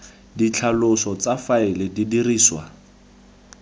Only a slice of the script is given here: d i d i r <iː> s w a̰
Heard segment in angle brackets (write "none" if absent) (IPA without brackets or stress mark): iː